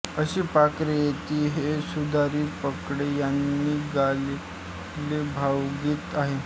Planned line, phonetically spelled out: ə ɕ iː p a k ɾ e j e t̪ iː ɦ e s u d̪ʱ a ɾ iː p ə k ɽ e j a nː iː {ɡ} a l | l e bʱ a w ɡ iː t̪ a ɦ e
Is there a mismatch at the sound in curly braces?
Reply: no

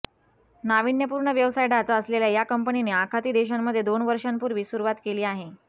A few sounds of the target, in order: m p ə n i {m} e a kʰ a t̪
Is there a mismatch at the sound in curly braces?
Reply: yes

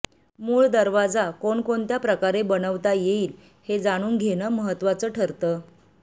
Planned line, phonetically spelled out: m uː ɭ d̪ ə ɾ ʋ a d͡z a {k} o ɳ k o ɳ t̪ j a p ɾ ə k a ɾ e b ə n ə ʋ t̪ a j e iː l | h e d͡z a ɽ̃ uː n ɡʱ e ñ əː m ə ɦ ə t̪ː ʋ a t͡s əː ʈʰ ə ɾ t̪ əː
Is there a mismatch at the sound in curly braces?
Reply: no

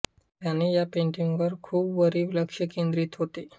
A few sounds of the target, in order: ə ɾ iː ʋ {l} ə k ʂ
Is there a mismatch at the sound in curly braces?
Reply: no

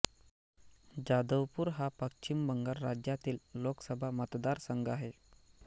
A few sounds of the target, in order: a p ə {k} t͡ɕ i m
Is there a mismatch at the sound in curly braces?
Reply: no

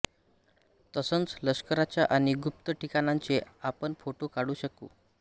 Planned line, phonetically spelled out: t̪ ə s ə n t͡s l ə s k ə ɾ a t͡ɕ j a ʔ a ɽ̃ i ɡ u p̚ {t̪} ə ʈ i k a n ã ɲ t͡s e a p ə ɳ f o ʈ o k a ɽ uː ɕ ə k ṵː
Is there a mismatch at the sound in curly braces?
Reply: no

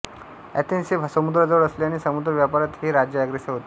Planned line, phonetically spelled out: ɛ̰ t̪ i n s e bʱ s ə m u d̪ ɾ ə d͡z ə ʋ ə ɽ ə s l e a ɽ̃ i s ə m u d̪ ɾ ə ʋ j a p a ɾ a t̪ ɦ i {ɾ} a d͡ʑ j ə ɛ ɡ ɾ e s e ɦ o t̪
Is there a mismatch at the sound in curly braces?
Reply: no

